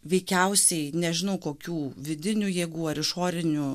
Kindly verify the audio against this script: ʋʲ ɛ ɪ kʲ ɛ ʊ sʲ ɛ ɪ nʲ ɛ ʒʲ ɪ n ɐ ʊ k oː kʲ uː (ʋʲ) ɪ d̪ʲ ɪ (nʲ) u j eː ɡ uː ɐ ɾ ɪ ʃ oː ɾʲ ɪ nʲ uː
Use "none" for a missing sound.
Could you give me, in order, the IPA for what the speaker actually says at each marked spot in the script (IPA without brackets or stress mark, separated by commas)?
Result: ʋʲ, nʲ